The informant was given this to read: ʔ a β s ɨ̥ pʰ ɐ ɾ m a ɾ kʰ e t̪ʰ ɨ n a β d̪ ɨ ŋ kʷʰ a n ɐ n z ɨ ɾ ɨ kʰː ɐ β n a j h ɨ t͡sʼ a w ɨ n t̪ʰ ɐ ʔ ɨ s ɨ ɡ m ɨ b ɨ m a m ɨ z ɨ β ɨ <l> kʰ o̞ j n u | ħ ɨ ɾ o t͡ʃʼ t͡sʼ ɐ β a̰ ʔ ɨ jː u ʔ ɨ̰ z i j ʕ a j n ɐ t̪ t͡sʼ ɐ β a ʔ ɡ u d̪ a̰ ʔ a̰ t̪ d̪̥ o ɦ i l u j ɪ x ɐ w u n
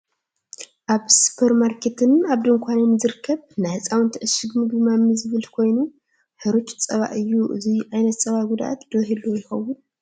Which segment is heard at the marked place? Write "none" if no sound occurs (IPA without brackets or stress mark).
l